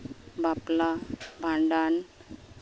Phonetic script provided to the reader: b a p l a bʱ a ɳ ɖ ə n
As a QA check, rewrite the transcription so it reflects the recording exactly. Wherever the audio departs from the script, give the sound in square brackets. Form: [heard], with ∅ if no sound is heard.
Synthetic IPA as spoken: b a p l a bʱ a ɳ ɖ [a] n